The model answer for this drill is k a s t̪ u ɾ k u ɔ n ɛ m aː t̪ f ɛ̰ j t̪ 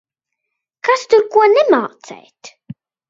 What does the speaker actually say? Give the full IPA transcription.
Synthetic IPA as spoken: k a s t̪ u ɾ k u ɔ n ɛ m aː t̪ s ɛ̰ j t̪